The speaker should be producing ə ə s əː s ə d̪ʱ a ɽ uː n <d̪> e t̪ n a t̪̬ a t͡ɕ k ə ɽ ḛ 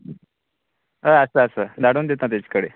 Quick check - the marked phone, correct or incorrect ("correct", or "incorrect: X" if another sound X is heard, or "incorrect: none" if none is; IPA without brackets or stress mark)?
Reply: correct